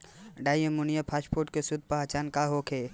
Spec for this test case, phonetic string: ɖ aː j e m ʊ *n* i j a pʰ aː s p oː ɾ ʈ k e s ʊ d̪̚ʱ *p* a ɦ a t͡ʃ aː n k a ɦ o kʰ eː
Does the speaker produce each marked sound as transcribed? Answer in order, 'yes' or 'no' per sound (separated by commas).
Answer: yes, yes